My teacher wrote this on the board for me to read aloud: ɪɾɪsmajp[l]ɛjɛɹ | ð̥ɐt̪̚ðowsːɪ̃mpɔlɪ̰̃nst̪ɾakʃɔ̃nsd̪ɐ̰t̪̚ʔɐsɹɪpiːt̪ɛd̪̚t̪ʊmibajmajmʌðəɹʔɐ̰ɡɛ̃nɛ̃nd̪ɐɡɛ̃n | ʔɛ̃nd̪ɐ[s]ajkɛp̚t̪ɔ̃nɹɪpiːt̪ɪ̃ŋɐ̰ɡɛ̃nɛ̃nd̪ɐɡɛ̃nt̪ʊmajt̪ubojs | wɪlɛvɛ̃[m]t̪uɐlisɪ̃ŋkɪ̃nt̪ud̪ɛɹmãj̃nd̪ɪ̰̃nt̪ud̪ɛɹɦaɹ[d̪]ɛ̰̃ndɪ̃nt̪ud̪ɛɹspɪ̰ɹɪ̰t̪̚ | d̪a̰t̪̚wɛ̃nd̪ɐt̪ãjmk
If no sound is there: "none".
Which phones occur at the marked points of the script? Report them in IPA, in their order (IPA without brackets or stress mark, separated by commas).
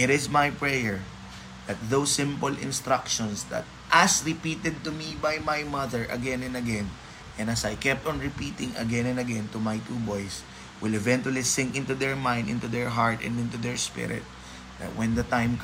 ɹ, s, n, t̪